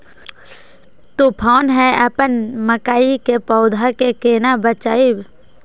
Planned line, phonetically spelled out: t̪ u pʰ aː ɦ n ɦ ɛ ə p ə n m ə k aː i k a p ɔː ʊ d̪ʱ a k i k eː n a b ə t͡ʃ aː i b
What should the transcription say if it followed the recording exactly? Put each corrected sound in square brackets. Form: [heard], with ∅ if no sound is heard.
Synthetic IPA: t̪ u pʰ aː [∅] n ɦ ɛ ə p ə n m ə k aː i k [e] p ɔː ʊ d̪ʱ a k [e] k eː n a b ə t͡ʃ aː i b